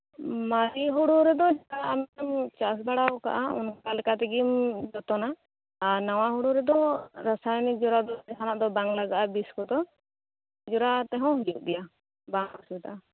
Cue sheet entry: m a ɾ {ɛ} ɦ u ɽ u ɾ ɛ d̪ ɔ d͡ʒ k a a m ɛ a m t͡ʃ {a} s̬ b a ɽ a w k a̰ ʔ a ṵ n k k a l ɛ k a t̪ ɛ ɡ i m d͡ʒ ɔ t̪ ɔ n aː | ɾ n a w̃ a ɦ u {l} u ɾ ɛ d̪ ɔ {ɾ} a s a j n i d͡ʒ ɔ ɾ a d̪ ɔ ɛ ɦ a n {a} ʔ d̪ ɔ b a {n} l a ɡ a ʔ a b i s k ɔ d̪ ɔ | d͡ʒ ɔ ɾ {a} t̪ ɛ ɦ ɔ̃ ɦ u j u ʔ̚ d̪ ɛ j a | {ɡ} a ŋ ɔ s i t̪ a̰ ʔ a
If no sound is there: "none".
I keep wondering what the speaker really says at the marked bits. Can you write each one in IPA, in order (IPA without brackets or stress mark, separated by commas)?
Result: i, a, ɽ, ɾ, a, ŋ, a, b